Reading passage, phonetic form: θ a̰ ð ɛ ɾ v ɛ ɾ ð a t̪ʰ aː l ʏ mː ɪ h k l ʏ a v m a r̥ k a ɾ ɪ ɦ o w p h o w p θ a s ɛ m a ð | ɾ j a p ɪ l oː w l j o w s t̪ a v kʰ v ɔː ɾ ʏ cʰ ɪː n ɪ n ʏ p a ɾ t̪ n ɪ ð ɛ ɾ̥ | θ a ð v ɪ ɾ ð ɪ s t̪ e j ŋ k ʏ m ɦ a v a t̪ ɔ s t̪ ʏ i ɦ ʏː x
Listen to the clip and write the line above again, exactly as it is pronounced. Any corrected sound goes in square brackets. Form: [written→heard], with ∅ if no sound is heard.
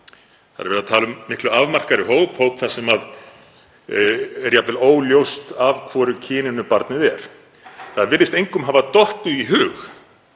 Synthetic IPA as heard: θ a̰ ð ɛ ɾ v ɛ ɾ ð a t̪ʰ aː l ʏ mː ɪ h k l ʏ a v m a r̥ k a ɾ ɪ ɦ o w p h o w p θ a s ɛ m a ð | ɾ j a p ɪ l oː w l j o w s t̪ a v kʰ v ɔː ɾ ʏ cʰ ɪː n ɪ n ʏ p a ɾ t̪ n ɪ ð ɛ ɾ̥ | θ a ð v ɪ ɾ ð ɪ s t̪ e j ŋ k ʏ m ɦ a v a t̪ ɔ [s→h] t̪ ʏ i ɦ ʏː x